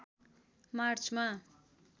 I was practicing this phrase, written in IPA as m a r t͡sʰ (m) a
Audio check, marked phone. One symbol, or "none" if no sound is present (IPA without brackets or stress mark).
m